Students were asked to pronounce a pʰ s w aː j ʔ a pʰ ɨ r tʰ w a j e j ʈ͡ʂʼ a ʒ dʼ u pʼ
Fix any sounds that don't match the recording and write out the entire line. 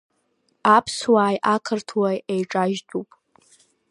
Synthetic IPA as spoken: a pʰ s w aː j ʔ a kʰ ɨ r tʰ w a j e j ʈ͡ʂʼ a ʒ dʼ u pʼ